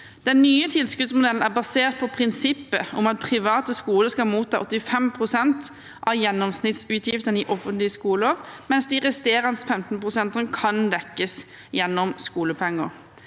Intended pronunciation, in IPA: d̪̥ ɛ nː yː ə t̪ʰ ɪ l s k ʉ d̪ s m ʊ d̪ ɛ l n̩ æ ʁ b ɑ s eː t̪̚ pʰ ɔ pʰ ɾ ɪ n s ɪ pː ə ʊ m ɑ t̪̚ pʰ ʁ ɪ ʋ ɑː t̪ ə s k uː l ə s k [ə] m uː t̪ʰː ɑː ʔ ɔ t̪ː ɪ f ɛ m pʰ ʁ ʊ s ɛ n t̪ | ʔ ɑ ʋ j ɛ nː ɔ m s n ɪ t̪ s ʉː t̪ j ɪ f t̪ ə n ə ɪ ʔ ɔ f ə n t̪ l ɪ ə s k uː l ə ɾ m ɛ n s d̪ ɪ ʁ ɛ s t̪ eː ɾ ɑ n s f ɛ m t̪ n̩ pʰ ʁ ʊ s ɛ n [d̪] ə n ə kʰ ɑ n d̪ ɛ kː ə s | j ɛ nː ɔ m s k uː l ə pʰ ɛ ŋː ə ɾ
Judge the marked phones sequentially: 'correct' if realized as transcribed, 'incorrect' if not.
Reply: incorrect: ɑ, incorrect: t̪

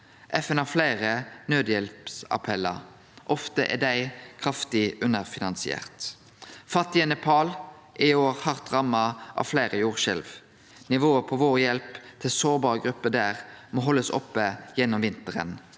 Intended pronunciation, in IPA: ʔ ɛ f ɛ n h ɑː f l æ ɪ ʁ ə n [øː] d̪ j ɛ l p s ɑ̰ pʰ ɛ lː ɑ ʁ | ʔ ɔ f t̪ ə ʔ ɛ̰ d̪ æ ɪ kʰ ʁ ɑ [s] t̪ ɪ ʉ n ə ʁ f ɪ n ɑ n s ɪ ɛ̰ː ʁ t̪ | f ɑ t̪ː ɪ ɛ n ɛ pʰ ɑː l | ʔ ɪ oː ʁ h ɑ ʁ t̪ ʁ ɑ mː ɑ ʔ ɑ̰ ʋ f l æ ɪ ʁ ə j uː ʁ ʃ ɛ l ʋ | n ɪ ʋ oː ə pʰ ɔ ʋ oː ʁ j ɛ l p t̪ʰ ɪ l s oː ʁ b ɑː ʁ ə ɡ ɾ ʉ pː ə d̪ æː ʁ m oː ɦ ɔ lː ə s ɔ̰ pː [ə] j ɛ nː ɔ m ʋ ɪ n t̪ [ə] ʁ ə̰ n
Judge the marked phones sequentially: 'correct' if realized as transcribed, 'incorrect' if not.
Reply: correct, incorrect: f, correct, correct

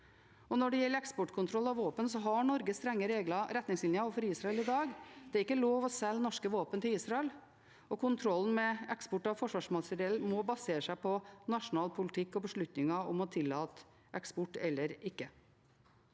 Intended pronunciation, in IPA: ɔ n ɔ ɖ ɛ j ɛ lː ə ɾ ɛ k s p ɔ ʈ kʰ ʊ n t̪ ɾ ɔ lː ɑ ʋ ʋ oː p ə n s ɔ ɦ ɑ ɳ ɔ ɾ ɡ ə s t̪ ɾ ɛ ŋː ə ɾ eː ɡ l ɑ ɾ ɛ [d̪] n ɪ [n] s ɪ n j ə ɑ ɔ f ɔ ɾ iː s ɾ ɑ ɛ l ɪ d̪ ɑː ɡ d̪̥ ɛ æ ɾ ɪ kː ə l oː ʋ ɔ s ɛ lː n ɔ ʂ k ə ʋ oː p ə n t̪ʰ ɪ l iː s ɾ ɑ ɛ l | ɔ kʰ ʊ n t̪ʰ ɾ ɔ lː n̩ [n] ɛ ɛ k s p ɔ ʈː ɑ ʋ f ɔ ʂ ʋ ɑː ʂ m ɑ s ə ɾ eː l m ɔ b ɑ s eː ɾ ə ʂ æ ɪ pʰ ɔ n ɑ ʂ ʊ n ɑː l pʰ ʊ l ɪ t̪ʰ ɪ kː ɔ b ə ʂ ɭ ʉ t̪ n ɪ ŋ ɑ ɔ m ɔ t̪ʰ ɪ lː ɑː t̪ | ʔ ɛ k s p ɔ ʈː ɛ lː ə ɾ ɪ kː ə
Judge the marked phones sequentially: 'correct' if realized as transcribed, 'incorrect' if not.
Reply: incorrect: t̪, incorrect: ŋ, incorrect: m

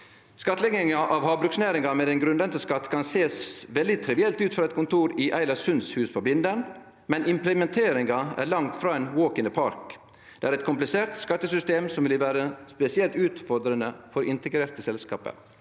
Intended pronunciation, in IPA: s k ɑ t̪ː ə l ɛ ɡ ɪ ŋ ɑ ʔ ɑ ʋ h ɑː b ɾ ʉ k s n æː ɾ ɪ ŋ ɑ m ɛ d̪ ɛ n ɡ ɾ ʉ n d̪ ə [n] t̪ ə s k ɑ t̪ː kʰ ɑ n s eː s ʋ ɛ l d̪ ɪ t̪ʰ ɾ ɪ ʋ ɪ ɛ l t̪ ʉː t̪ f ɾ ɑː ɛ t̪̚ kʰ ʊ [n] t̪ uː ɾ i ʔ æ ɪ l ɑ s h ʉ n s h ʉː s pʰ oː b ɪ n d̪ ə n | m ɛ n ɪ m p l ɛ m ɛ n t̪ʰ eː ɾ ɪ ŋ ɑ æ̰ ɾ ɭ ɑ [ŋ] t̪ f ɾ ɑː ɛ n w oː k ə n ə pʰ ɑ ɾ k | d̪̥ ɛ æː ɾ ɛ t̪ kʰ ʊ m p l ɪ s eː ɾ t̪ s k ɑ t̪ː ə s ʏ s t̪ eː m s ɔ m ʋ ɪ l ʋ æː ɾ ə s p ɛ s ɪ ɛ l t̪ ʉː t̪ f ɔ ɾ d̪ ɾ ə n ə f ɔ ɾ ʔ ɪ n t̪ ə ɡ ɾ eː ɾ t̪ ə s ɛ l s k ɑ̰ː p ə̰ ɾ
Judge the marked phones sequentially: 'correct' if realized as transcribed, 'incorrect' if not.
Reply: correct, correct, correct

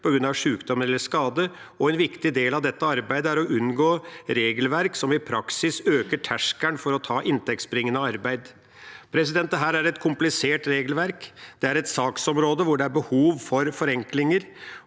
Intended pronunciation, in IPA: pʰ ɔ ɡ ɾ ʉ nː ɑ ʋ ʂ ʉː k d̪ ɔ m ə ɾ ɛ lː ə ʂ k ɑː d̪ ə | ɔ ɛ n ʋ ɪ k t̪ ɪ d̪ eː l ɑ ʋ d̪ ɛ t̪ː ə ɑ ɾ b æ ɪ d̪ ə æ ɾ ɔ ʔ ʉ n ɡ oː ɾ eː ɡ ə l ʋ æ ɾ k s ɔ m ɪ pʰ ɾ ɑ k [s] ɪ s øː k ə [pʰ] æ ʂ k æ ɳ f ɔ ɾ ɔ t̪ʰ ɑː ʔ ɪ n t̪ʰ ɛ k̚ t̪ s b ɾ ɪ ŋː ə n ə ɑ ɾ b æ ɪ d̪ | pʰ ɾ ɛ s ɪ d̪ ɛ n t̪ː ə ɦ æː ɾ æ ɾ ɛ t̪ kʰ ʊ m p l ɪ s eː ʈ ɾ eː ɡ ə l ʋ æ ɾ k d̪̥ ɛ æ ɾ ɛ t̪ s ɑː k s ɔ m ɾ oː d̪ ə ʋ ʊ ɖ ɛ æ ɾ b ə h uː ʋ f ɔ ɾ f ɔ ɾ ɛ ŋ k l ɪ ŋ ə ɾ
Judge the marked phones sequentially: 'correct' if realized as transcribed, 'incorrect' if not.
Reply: correct, incorrect: ʈʰ

